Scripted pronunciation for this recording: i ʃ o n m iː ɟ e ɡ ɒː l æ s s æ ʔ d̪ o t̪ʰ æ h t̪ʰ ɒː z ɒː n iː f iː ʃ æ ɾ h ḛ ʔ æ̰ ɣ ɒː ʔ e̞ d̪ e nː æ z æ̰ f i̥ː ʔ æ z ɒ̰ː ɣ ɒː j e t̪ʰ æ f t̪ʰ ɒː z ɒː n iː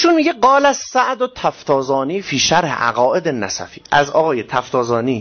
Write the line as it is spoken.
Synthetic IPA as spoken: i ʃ u n m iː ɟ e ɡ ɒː l æ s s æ ʔ d̪ o t̪ʰ æ f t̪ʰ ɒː z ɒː n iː f iː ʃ æ ɾ h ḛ ʔ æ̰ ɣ ɒː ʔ e̞ d̪ e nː æ s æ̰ f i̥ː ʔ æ z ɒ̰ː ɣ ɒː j e t̪ʰ æ f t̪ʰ ɒː z ɒː n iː